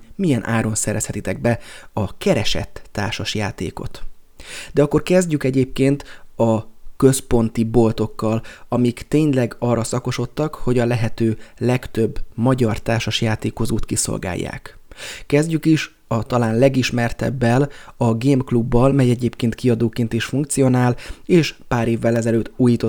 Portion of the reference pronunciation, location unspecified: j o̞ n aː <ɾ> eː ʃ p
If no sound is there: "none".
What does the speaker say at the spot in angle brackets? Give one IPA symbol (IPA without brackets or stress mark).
l